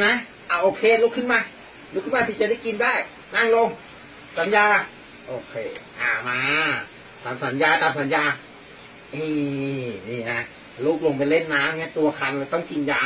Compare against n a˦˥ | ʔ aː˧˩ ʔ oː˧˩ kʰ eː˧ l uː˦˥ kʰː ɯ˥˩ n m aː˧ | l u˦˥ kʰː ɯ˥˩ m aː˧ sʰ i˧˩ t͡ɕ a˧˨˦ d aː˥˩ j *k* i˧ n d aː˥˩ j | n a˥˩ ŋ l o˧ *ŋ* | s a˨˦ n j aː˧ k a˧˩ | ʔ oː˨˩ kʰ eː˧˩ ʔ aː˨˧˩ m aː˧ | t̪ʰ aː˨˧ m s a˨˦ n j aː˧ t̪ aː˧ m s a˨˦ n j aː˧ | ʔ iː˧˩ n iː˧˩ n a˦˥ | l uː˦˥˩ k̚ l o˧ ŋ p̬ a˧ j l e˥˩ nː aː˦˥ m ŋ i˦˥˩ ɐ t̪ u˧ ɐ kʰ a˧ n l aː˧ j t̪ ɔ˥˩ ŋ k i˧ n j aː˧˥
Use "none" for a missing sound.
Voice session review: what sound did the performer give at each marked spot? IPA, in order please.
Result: k, ŋ

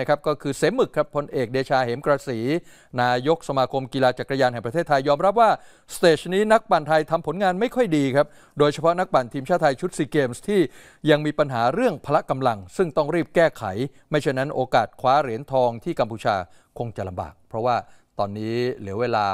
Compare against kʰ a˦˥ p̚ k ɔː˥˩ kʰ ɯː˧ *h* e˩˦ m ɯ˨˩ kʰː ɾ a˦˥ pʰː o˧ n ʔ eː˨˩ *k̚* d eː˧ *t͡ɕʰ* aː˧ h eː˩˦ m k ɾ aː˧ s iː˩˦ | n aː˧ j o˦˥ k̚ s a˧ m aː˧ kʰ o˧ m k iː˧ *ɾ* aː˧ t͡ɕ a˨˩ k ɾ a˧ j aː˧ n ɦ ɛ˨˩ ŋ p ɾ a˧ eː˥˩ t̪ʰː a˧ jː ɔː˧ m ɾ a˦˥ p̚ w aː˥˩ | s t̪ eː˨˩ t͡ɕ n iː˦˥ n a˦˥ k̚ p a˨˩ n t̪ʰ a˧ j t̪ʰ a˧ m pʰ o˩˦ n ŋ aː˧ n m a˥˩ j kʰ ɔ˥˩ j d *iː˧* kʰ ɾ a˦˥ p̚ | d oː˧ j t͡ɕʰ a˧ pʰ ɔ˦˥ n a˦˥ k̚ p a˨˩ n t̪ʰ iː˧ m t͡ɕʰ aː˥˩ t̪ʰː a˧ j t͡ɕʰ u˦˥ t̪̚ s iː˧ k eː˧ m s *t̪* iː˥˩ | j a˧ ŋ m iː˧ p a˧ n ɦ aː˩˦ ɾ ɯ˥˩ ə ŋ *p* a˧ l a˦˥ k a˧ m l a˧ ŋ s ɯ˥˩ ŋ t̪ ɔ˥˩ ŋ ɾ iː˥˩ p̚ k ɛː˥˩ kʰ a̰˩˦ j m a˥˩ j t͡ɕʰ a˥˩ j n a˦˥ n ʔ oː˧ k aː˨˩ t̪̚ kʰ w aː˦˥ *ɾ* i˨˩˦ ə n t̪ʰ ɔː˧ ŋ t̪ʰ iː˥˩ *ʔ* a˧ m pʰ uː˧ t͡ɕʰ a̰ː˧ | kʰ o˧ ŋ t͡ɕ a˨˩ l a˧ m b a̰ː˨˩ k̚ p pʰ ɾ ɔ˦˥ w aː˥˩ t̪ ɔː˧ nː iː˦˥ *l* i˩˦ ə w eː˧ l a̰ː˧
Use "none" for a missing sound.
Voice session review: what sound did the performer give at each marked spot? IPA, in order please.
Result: s, k̚, t͡ɕʰ, l, iː˧, t̪ʰ, pʰ, ɾ, k, l

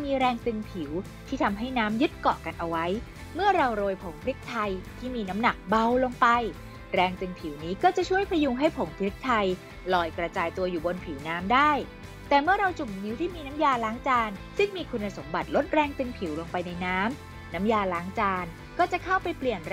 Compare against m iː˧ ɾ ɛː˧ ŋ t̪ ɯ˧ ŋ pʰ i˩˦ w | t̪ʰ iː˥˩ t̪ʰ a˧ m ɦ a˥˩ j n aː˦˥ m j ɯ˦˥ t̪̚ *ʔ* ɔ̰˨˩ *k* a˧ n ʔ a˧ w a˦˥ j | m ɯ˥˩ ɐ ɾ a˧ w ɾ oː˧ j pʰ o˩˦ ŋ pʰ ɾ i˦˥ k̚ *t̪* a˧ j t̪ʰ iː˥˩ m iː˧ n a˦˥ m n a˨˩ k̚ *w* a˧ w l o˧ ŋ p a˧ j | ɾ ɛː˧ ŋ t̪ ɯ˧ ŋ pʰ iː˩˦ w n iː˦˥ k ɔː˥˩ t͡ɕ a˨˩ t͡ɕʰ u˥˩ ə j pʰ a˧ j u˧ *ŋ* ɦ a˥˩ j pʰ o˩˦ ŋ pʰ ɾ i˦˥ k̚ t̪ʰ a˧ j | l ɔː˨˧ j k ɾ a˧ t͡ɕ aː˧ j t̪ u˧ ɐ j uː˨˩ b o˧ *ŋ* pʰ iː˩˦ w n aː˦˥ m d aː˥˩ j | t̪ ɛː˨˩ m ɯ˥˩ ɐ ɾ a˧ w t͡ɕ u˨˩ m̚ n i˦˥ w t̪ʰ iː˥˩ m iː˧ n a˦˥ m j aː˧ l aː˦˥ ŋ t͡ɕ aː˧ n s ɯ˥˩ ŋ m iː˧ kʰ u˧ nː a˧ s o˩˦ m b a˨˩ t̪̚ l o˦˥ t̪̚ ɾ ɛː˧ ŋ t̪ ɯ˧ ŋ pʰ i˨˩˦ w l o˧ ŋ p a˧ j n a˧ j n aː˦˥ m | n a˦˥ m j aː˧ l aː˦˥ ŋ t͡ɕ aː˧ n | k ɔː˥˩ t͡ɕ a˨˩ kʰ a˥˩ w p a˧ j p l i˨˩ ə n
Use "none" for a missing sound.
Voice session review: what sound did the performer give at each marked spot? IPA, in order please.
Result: k, k, t̪ʰ, b, ŋ, n

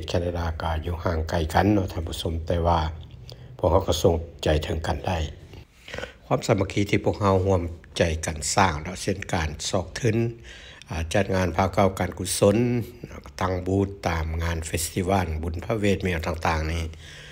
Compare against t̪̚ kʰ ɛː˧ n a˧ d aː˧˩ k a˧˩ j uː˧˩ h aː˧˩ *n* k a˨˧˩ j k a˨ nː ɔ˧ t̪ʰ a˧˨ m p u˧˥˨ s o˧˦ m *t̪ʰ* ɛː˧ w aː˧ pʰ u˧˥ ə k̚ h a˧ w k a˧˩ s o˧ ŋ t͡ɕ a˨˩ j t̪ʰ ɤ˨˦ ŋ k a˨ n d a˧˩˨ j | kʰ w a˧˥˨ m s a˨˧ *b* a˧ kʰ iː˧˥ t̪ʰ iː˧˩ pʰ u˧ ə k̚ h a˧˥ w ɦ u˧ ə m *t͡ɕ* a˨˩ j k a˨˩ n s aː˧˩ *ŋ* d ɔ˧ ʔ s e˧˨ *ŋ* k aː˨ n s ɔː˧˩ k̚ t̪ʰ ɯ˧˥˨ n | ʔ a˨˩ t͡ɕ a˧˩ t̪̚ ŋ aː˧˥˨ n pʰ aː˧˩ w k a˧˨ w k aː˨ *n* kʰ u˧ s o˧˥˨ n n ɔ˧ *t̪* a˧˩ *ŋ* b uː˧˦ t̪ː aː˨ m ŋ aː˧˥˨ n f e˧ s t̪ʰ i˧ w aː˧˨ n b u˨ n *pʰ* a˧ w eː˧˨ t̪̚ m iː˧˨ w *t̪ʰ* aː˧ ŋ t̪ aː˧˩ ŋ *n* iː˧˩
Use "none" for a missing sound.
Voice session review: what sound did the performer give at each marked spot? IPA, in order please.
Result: ŋ, t̪, m, t͡ɕ, ŋ, n, n, t̪, ŋ, pʰ, t̪, n

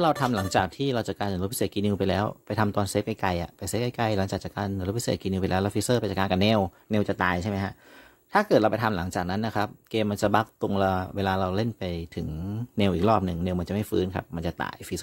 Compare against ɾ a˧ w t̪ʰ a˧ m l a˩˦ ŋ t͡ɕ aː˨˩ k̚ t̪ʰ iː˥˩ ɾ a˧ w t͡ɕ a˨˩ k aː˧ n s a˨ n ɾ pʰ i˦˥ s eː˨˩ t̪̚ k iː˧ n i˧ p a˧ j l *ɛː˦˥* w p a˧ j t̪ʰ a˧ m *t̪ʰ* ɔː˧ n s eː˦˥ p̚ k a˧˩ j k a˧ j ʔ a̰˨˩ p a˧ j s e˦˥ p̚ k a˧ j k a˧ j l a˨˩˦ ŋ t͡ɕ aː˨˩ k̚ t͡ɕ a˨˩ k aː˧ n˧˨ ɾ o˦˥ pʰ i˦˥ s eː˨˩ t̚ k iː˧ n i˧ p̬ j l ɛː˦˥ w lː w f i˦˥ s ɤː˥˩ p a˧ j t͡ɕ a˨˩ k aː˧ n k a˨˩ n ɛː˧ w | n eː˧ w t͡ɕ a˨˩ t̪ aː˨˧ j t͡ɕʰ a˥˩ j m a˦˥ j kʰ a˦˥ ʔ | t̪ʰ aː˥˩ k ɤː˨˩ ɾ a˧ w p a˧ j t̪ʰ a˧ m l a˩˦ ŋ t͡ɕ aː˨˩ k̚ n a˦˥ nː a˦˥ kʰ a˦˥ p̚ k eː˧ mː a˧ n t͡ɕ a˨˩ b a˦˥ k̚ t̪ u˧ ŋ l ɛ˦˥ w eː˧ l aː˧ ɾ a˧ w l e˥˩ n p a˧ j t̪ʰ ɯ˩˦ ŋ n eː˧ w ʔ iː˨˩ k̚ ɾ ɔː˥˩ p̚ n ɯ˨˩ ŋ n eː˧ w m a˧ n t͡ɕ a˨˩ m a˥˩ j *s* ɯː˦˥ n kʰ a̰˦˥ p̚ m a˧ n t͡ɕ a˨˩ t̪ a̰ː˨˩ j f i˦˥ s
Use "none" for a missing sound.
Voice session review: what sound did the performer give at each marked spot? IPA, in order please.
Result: ɛː˦˥, t̪, f

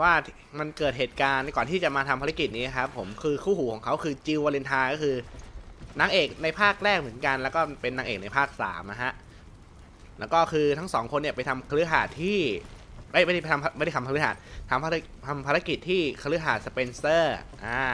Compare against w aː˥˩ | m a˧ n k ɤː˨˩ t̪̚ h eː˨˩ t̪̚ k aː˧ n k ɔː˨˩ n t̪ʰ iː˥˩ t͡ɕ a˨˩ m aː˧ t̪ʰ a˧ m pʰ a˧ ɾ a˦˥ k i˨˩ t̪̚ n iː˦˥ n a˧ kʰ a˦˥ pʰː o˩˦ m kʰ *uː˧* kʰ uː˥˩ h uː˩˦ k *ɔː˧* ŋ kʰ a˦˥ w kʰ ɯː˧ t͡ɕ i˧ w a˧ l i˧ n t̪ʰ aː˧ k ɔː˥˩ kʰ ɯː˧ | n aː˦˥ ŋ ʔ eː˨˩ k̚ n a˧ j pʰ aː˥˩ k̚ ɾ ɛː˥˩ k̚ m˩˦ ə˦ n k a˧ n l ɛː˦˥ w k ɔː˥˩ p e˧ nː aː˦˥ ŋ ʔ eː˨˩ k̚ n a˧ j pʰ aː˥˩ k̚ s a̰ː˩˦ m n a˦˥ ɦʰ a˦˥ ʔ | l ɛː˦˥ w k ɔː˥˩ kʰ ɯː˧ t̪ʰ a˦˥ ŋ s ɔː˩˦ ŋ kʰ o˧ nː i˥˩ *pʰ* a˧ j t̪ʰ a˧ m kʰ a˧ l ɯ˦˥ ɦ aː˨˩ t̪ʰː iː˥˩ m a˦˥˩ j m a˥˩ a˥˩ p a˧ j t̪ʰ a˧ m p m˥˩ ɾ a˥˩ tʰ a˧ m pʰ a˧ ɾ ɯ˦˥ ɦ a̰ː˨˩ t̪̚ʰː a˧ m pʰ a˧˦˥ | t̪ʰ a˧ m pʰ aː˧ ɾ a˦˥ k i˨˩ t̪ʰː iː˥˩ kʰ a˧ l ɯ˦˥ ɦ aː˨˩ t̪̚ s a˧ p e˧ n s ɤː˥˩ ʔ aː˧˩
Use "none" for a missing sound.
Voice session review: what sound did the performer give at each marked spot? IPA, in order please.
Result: ɯː˧, ɔː˩˦, p

